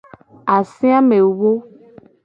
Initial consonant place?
alveolar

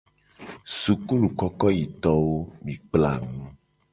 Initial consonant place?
alveolar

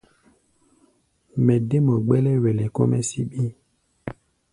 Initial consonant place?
labial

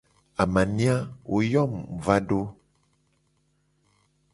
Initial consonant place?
labial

